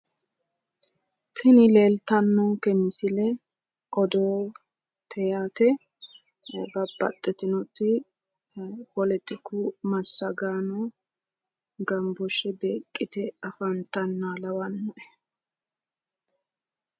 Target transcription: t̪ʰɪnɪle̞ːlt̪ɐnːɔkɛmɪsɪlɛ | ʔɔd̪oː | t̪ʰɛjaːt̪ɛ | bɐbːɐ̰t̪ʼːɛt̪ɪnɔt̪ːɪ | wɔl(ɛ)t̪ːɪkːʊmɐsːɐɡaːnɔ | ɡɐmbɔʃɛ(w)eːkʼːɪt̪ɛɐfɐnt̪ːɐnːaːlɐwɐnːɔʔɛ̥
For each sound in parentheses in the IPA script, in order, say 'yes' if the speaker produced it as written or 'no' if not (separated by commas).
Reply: yes, no